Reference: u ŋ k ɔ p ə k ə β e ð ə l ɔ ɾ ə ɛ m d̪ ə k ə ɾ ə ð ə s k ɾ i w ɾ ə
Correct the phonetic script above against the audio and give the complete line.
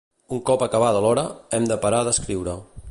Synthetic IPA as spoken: u ŋ k ɔ p ə k ə β a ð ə l ɔ ɾ ə ɛ m d̪ ə p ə ɾ a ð ə s k ɾ i w ɾ ə